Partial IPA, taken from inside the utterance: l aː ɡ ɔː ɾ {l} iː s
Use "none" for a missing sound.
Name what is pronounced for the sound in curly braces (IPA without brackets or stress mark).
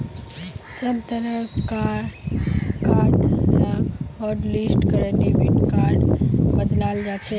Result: l